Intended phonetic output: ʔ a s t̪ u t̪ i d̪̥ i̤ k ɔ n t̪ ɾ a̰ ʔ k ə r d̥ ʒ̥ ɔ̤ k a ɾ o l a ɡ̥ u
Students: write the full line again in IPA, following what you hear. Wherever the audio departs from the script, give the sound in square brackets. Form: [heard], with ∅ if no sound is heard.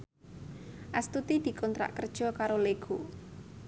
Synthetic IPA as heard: ʔ a s t̪ u t̪ i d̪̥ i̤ k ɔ n t̪ ɾ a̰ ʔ k ə r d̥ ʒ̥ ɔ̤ k a ɾ o l [e] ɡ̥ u